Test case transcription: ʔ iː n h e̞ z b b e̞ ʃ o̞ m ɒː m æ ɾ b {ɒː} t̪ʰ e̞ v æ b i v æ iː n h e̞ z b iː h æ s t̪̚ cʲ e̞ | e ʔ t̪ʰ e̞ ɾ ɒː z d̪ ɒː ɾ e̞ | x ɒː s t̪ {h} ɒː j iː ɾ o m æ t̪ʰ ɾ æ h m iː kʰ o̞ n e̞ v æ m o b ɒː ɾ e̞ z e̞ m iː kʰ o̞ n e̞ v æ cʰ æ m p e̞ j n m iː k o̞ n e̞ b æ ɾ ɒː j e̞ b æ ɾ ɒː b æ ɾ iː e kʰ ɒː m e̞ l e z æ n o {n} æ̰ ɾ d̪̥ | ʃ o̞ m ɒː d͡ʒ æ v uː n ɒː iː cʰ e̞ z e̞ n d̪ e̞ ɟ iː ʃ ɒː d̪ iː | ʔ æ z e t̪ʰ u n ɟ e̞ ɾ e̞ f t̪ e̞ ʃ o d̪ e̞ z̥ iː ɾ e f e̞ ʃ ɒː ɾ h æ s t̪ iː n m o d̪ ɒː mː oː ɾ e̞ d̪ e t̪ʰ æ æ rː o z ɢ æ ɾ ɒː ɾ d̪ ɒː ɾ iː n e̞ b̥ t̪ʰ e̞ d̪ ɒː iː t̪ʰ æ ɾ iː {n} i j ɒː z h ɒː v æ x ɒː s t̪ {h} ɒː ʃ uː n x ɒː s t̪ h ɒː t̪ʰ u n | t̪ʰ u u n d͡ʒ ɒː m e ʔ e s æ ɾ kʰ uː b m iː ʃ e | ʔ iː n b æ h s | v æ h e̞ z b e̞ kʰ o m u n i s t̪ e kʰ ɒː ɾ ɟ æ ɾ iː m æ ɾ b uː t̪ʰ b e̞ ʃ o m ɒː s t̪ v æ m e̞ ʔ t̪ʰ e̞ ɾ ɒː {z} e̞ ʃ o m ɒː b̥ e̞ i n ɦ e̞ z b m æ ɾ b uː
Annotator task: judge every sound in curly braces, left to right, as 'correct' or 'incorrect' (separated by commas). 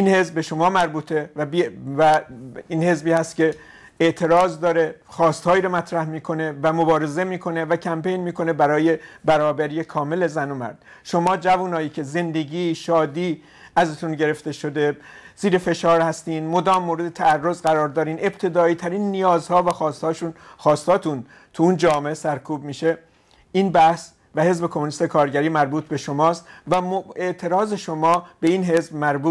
incorrect, correct, incorrect, incorrect, correct, correct